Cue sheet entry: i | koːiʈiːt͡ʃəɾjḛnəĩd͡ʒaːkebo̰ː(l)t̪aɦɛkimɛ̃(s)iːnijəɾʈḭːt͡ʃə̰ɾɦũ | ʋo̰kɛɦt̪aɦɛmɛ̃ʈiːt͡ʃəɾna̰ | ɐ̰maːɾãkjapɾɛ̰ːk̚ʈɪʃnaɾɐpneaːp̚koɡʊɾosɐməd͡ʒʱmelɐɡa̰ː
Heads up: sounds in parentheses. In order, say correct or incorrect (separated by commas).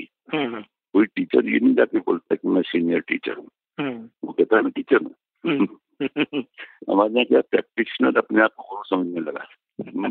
correct, correct